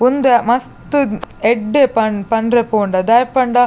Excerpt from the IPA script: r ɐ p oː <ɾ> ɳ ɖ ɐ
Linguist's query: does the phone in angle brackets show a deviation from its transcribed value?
yes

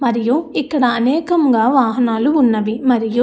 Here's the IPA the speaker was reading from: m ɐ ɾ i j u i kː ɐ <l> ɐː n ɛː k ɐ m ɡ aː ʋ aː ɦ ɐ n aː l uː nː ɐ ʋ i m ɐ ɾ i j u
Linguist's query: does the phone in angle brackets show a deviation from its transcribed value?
yes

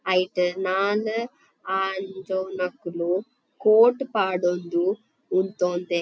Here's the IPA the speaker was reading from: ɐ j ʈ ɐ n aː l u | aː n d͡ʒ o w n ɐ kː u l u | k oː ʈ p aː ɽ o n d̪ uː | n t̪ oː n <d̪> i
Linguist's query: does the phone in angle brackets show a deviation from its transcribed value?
no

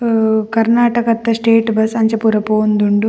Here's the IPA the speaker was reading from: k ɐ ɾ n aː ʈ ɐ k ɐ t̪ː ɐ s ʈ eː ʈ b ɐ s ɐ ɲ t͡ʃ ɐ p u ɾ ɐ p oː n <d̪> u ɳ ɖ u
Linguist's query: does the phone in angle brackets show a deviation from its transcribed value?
no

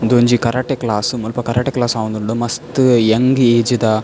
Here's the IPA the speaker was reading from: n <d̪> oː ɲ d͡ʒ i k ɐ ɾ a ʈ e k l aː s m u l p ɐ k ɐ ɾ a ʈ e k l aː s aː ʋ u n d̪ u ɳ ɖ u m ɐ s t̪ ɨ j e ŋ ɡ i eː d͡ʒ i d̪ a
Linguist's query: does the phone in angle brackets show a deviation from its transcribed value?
no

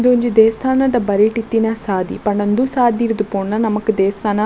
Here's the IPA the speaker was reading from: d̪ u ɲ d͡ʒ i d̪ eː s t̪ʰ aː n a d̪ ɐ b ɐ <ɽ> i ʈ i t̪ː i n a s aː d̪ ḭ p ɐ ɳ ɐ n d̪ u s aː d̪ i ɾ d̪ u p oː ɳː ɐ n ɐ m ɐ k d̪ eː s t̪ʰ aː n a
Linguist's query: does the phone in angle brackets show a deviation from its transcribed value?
yes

